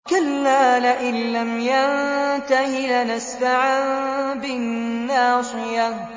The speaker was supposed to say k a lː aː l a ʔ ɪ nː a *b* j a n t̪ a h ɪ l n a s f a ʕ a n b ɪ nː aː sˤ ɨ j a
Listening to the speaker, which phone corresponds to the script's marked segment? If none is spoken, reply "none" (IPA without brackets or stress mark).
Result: m